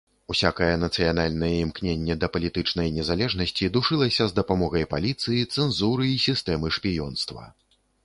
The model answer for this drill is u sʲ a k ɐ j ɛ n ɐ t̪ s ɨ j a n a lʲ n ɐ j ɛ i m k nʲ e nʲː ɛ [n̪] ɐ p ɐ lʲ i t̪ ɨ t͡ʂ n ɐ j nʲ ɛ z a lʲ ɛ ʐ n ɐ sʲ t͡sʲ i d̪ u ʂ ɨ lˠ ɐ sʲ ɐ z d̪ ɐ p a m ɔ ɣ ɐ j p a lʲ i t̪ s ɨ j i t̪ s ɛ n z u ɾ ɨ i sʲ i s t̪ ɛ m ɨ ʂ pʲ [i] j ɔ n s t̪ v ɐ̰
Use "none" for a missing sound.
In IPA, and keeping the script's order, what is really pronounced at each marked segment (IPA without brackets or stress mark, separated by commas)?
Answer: d̪, i